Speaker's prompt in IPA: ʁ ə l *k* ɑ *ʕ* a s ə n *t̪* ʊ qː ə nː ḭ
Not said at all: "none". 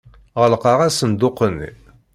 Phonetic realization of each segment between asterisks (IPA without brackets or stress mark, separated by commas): q, ʁ, d̪